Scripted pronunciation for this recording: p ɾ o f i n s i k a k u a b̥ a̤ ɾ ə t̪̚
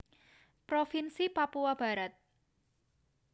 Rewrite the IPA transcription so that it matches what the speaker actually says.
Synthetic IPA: p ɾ o f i n s i p a p u a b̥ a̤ ɾ a t̪̚